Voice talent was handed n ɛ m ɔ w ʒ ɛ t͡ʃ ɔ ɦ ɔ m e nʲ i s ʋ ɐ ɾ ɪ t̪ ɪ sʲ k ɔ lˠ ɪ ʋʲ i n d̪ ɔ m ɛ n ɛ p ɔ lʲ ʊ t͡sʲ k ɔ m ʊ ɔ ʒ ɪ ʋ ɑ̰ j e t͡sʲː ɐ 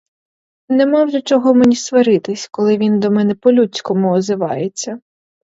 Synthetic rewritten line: n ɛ m ɔ w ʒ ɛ t͡ʃ ɔ ɦ ɔ m e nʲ i s ʋ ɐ ɾ ɪ t̪ ɪ sʲ k ɔ lˠ ɪ ʋʲ i n d̪ ɔ m ɛ n ɛ p ɔ lʲ u t͡sʲ k ɔ m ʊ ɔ z ɪ ʋ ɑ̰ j e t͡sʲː ɐ